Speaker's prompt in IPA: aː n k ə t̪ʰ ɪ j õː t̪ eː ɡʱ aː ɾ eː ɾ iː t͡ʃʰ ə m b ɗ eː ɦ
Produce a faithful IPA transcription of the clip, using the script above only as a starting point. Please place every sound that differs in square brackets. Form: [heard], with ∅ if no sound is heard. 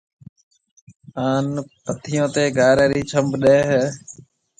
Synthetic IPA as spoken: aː n [p] ə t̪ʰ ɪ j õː t̪ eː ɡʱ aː ɾ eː ɾ iː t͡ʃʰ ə m b ɗ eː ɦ